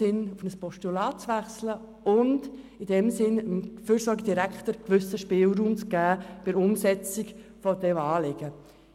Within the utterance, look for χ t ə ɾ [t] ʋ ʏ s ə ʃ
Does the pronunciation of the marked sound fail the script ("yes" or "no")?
yes